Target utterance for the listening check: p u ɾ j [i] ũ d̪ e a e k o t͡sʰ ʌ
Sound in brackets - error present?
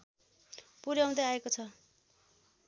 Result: yes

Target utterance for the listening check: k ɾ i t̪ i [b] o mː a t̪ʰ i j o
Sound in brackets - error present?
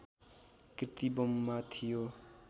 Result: no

